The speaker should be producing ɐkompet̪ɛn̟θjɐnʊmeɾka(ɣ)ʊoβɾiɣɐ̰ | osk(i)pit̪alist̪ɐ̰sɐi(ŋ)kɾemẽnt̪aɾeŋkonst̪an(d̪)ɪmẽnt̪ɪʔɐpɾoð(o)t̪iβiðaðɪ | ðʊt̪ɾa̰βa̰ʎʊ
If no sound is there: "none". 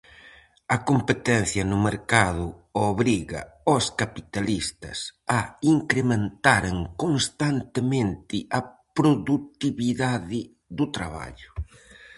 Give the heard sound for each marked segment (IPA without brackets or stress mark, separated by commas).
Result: ð, a, ŋ, t̪, u